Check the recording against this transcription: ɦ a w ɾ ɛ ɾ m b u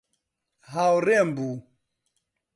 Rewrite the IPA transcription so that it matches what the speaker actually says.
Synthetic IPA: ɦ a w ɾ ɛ m b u